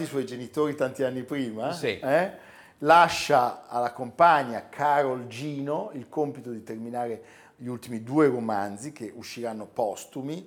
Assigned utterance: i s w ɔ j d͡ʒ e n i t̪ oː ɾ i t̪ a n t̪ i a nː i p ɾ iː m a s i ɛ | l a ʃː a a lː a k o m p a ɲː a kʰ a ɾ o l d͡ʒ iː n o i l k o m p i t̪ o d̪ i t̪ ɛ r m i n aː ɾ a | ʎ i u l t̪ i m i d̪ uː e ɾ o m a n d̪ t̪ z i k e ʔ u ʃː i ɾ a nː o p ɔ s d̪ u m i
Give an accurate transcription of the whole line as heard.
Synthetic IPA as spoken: i s w ɔ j d͡ʒ e n i t̪ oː ɾ i t̪ a n t̪ i a nː i p ɾ iː m a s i ɛ | l a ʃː a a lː a k o m p a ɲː a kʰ a ɾ o l d͡ʒ iː n o i l k o m p i t̪ o d̪ i t̪ e r m i n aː ɾ e | ʎ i u l t̪ i m i d̪ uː e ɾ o m a n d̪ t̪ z i k e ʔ u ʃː i ɾ a nː o p ɔ s t̪ u m i